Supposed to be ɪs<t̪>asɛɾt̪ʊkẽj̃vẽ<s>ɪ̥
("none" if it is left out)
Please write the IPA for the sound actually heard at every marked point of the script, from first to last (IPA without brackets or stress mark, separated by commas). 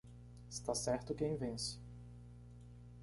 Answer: t̪, s